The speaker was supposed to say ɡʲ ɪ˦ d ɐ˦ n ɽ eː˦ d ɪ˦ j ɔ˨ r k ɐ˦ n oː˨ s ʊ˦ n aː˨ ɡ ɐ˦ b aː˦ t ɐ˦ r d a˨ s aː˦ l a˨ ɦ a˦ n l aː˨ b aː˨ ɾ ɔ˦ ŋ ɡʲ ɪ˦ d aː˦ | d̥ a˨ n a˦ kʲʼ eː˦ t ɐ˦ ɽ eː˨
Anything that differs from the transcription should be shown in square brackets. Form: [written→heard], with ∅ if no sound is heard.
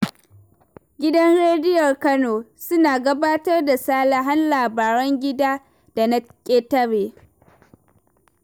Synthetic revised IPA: ɡʲ ɪ˦ d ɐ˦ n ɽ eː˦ d ɪ˦ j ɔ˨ r k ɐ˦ n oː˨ s ʊ˦ n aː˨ ɡ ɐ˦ b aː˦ t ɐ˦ r d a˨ s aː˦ l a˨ ɦ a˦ n l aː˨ b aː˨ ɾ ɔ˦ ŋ ɡʲ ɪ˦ d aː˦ | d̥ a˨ n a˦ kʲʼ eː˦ t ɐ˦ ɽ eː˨